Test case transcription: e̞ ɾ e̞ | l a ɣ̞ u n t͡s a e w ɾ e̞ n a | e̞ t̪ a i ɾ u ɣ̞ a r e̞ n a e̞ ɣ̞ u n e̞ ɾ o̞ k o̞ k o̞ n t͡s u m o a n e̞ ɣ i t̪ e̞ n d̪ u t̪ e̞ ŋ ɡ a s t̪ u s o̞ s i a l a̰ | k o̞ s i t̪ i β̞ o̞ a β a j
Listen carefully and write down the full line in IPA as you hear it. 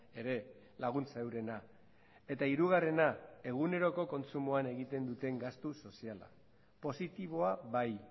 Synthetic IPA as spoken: e̞ ɾ e̞ | l a ɣ̞ u n t͡s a e w ɾ e̞ n a | e̞ t̪ a i ɾ u ɣ̞ a r e̞ n a e̞ ɣ̞ u n e̞ ɾ o̞ k o̞ k o̞ n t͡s u m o a n e̞ ɣ i t̪ e̞ n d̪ u t̪ e̞ ŋ ɡ a s t̪ u s o̞ s i a l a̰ | p o̞ s i t̪ i β̞ o̞ a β a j